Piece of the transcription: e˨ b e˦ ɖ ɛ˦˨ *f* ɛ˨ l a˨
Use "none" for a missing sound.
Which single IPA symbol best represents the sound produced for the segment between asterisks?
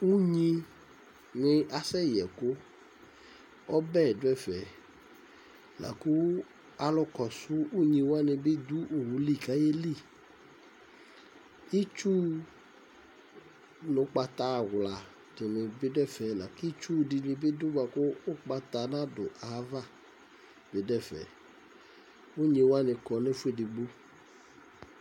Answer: f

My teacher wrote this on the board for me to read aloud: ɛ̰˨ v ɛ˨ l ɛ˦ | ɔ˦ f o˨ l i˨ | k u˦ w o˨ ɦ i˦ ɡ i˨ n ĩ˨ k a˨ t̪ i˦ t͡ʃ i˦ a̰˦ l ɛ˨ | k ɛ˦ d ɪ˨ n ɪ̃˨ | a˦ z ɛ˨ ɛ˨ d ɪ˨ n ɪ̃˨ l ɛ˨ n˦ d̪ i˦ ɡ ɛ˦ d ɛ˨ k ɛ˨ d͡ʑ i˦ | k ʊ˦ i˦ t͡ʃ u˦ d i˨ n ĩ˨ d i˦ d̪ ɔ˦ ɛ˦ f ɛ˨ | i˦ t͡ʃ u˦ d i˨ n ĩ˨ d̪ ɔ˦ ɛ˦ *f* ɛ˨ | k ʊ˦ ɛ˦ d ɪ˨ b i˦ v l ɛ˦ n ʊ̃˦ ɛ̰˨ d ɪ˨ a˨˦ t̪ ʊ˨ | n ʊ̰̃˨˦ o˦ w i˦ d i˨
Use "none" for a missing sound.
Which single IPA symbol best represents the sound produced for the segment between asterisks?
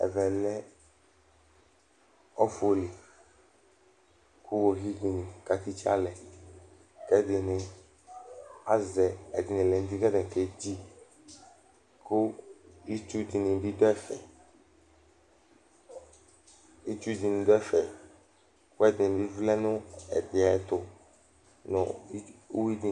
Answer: f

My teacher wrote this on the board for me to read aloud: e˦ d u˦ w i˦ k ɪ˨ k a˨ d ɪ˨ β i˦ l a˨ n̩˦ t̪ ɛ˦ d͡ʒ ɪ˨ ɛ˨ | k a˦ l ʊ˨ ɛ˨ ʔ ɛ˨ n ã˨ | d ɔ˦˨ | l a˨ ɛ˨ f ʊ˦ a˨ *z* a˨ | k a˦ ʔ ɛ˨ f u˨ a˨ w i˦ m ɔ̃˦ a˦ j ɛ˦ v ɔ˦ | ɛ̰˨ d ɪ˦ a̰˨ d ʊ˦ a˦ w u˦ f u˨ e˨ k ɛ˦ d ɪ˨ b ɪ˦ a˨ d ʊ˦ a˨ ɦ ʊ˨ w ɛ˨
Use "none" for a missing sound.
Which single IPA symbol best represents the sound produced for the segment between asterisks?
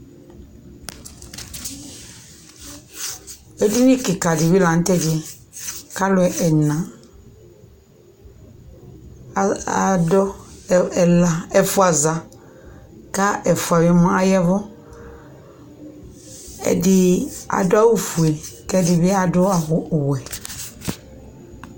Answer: z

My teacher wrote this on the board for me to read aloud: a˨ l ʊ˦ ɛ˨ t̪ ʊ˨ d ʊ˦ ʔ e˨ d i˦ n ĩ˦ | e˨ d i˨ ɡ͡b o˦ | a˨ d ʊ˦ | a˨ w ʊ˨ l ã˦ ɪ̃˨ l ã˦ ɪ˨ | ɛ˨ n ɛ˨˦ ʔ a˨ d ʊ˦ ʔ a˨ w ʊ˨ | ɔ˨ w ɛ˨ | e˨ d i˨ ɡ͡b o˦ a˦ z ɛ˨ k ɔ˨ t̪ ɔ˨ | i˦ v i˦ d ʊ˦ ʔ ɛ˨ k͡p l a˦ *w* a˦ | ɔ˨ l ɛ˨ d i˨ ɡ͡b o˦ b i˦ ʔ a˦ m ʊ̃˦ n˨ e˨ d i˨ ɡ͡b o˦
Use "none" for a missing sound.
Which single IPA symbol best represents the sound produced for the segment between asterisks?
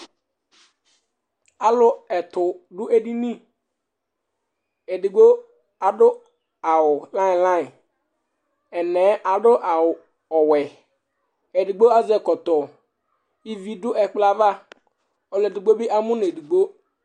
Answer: v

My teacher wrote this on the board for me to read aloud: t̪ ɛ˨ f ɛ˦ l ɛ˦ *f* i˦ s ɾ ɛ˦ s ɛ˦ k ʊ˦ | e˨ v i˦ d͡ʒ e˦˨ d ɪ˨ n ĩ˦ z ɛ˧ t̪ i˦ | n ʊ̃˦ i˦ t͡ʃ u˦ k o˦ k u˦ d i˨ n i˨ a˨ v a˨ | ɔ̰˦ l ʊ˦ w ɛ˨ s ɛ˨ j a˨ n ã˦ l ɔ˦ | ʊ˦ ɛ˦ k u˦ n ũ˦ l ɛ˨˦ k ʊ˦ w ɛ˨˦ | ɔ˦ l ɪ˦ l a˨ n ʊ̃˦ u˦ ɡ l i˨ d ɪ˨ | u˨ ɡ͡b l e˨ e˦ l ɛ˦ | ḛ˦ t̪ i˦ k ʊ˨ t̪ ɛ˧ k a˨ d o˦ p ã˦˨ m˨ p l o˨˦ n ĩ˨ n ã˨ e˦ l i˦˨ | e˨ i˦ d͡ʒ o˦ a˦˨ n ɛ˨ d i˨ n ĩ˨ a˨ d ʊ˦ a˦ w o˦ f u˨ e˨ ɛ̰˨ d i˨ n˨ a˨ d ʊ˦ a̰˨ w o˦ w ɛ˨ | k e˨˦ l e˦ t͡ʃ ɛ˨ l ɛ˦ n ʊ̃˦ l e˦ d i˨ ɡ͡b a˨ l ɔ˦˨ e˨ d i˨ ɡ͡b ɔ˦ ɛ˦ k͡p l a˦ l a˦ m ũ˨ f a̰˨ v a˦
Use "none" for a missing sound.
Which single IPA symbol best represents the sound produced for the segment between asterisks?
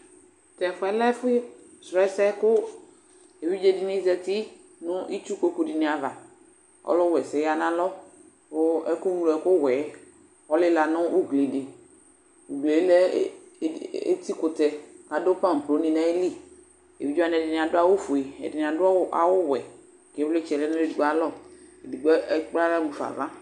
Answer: f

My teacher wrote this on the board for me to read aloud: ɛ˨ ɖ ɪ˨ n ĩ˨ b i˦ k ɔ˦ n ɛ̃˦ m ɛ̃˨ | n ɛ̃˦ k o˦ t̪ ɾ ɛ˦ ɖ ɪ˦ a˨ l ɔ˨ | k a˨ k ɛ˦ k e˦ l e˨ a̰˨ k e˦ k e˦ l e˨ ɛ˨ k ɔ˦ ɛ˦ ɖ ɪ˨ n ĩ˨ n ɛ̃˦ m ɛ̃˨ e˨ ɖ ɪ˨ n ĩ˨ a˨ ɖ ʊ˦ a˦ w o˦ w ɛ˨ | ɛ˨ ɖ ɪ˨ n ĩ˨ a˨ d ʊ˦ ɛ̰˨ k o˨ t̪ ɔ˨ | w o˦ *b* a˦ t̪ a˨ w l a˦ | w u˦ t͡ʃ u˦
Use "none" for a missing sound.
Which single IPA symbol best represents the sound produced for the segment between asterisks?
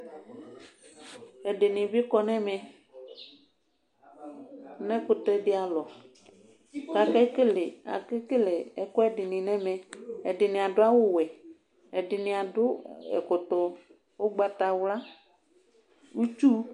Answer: ɡ͡b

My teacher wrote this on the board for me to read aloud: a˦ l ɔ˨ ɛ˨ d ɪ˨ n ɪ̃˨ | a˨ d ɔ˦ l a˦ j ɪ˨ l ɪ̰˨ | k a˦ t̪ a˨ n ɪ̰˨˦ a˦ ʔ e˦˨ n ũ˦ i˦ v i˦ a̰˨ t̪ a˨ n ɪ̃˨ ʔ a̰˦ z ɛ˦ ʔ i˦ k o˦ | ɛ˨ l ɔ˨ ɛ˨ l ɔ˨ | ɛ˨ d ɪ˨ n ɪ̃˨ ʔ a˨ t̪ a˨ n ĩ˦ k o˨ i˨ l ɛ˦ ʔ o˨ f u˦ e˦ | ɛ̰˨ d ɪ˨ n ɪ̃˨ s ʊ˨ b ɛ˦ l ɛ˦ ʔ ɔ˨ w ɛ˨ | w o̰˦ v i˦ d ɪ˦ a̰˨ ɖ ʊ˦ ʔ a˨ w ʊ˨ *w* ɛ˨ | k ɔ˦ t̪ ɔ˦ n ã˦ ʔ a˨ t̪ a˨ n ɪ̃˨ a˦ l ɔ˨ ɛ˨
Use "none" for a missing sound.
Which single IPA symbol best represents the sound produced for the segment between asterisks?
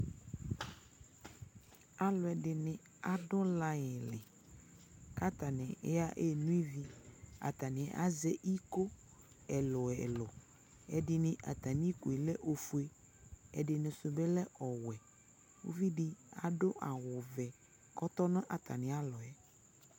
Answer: v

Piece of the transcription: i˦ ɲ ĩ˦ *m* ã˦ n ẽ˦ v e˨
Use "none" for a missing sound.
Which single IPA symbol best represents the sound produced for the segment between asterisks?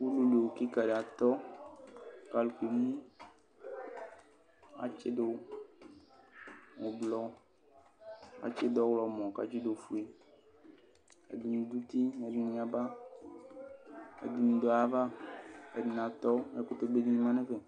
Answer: m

